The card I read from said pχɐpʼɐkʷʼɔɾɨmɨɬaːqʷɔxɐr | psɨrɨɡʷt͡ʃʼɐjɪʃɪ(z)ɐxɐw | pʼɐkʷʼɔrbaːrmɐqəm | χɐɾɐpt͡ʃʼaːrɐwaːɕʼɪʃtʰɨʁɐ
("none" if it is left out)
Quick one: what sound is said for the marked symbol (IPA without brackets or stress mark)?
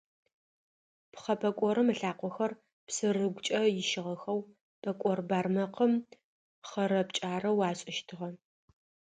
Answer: ʁ